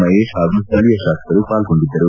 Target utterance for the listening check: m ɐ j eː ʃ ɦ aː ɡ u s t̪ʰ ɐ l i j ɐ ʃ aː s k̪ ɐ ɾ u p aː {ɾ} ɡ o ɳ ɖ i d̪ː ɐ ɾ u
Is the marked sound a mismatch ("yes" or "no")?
yes